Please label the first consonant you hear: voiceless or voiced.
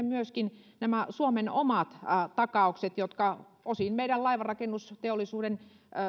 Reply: voiced